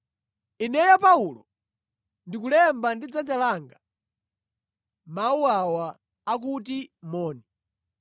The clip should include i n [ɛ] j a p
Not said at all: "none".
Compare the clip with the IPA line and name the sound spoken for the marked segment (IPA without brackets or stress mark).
ɛ